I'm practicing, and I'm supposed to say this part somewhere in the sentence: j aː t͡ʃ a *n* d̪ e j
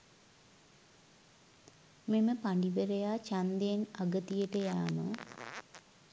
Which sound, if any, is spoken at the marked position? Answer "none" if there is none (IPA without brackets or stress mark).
n